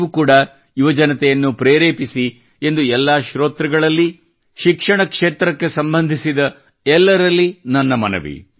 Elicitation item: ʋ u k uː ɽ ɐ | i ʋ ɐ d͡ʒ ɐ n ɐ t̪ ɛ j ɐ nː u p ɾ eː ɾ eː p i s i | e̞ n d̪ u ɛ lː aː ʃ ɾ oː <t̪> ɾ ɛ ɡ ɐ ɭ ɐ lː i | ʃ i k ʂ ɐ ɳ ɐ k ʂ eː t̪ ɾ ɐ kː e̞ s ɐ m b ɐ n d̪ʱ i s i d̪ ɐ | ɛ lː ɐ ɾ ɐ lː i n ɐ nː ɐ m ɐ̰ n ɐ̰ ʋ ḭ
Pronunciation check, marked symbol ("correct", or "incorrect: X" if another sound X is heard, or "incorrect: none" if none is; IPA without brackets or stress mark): correct